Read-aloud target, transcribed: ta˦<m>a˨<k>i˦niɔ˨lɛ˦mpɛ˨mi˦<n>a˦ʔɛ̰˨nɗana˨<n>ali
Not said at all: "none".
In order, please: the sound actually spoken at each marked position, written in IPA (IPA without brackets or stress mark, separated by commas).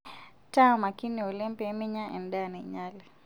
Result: m, k, ɲ, ɲ